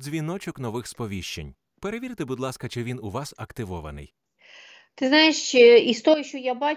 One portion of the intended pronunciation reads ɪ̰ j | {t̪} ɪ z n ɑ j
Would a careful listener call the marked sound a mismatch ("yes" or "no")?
no